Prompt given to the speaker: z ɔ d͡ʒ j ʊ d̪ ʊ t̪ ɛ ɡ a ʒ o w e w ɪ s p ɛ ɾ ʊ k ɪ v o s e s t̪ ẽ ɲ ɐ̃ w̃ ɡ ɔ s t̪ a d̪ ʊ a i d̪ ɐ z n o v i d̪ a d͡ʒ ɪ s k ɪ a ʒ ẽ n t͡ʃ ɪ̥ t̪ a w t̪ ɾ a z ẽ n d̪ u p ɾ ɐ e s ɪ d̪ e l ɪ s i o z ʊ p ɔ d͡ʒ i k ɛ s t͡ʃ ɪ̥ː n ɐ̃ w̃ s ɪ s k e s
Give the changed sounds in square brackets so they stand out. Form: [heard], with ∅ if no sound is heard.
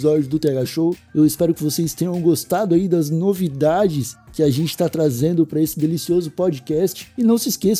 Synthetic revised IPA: z ɔ d͡ʒ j ʊ d̪ ʊ t̪ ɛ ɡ a [ʃ] o w e w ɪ s p ɛ ɾ ʊ k ɪ v o s e s t̪ ẽ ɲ ɐ̃ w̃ ɡ [o] s t̪ a d̪ ʊ a i d̪ ɐ z n o v i d̪ a d͡ʒ ɪ s k ɪ a ʒ ẽ n t͡ʃ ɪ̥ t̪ a [∅] t̪ ɾ a z ẽ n d̪ [ʊ] p ɾ ɐ e s ɪ d̪ e l [i] s i o z ʊ p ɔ d͡ʒ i k ɛ s t͡ʃ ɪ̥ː n ɐ̃ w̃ s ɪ s k e s